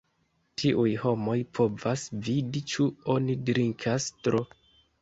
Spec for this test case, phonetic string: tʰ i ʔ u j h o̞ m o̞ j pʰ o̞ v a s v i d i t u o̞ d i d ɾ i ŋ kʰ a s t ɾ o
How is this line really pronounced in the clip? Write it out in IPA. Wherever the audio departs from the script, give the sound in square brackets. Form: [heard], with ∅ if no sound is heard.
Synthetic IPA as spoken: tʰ i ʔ u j h o̞ m o̞ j pʰ o̞ v a s v i d i [t͡ʃ] u o̞ [n] i d ɾ i ŋ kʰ a s t ɾ o